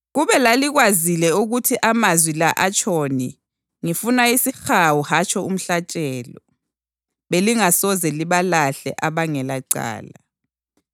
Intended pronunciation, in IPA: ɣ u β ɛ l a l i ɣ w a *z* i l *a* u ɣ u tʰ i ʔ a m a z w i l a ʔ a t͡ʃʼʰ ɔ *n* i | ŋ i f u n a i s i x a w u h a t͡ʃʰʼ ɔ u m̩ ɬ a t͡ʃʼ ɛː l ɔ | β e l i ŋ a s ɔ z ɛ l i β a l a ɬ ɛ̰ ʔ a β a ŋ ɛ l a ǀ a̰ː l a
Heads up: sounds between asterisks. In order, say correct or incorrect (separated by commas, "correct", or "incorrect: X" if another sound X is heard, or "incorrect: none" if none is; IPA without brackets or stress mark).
correct, incorrect: ɛ, correct